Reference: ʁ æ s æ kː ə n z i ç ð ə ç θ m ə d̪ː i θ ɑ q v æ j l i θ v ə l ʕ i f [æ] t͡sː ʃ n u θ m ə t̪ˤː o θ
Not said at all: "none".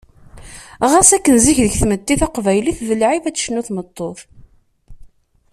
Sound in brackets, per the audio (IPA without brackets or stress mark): æ